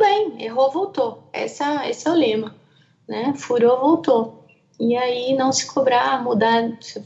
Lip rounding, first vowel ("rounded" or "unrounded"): unrounded